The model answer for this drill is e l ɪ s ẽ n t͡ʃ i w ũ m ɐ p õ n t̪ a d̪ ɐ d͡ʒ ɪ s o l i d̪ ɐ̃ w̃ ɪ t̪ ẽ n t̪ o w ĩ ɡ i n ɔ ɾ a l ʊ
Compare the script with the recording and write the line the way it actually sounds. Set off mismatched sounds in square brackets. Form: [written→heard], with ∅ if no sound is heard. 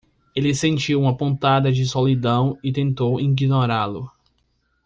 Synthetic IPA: e l ɪ s ẽ n t͡ʃ i w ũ m ɐ p õ n t̪ a d̪ ɐ d͡ʒ ɪ s o l i d̪ ɐ̃ w̃ ɪ t̪ ẽ n t̪ o w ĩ ɡ i n [ɔ→o] ɾ a l ʊ